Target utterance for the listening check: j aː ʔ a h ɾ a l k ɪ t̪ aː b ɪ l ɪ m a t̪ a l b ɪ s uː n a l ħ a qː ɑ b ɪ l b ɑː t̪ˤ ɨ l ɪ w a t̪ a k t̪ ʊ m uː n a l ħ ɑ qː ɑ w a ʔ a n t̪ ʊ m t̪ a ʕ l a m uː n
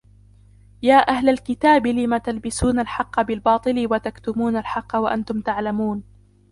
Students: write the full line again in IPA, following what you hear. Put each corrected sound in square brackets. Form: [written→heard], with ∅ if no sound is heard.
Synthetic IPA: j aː ʔ a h [ɾ→l] a l k ɪ t̪ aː b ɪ l ɪ m a t̪ a l b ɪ s uː n a l ħ [a→ɑ] qː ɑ b ɪ l b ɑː t̪ˤ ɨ l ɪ w a t̪ a k t̪ ʊ m uː n a l ħ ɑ qː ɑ w a ʔ a n t̪ ʊ m t̪ a ʕ l a m uː n